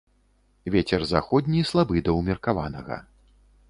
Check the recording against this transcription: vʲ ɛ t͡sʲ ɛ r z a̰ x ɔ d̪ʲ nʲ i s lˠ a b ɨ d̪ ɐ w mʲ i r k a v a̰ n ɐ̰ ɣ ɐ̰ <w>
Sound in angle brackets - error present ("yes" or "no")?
yes